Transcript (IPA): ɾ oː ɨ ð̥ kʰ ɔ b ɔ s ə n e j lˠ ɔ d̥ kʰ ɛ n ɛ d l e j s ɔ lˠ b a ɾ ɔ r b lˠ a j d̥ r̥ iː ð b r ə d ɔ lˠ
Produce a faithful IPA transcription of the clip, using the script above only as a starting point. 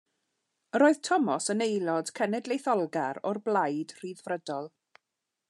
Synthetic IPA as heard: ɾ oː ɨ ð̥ tʰ ɔ m ɔ s ə n e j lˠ ɔ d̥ kʰ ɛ n ɛ d l e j θ ɔ lˠ ɡ a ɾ ɔ r b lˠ a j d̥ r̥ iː ð v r ə d ɔ lˠ